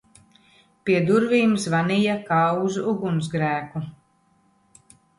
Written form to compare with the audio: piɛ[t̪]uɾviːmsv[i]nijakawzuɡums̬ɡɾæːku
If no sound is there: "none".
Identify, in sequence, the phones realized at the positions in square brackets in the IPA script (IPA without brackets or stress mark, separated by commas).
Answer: d̪, a